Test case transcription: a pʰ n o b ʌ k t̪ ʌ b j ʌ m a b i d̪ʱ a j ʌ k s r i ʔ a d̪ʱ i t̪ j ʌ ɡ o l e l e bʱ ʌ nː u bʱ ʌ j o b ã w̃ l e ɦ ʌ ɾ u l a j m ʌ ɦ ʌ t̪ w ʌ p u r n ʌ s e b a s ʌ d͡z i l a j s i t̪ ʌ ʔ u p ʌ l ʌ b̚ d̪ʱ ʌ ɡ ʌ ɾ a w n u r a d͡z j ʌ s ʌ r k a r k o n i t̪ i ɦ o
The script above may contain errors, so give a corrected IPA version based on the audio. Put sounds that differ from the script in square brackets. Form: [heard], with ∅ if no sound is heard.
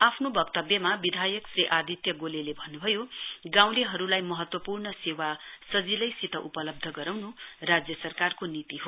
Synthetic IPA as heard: a pʰ n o b ʌ k t̪ ʌ b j ʌ m a b i d̪ʱ a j ʌ k s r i ʔ a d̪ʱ i t̪ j ʌ ɡ o l e l e bʱ ʌ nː u bʱ ʌ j o [ɡ] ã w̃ l e ɦ ʌ ɾ u l a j m ʌ ɦ ʌ t̪ w ʌ p u r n ʌ s e [w] a s ʌ d͡z i l [ʌ] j s i t̪ ʌ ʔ u p ʌ l ʌ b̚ d̪ʱ ʌ ɡ ʌ ɾ a w n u r a d͡z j ʌ s ʌ r k a r k o n i t̪ i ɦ o